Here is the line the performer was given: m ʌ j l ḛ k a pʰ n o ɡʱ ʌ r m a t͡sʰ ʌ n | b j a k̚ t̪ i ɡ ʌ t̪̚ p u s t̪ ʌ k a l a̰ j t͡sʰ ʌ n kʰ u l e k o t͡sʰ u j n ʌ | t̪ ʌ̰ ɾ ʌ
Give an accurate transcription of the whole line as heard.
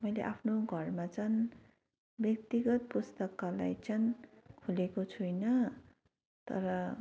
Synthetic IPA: m ʌ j l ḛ ʔ a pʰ n o ɡʱ ʌ r m a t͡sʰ ʌ n | b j ʌ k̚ t̪ i ɡ ʌ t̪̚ p u s t̪ ʌ k a l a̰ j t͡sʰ ʌ n kʰ u l e k o t͡sʰ u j n ʌ | t̪ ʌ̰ ɾ ʌ